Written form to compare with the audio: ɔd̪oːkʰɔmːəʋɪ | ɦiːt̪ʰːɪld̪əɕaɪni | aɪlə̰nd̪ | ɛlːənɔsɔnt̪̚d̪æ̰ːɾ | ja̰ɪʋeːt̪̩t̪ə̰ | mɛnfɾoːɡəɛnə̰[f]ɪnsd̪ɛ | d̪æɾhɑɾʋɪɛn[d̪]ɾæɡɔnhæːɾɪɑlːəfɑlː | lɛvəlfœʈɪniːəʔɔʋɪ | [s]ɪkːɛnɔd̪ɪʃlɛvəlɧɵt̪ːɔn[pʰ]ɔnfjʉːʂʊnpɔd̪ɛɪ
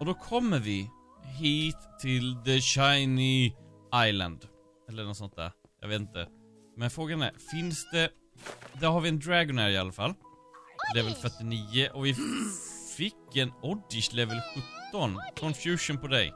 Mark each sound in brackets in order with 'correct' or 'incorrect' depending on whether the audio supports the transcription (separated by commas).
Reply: correct, correct, incorrect, incorrect